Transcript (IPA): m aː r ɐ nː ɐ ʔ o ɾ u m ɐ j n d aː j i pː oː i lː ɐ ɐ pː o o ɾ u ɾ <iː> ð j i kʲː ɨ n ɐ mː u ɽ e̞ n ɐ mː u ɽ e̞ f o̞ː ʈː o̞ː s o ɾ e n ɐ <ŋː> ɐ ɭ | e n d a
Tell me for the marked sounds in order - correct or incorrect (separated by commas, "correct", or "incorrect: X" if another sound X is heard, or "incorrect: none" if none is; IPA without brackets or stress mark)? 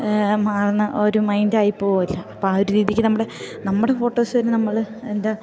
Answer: correct, incorrect: mː